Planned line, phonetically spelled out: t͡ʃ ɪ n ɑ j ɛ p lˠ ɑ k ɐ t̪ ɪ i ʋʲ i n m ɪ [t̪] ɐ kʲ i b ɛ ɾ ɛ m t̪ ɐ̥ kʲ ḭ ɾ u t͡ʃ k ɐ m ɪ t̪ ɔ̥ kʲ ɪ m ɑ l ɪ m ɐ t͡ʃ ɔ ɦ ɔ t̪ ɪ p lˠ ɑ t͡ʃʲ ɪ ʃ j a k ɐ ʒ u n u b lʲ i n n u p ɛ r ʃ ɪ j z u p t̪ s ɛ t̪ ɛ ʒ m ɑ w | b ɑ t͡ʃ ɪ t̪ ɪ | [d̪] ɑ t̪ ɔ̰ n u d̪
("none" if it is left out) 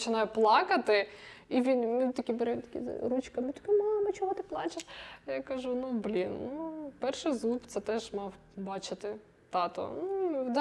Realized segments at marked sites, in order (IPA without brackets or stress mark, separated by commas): t̪, t̪